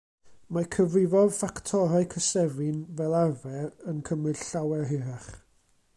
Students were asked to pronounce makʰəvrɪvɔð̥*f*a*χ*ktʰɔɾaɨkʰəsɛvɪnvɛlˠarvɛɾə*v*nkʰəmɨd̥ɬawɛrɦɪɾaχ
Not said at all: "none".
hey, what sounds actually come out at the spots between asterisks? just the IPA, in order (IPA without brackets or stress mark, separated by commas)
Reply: f, none, none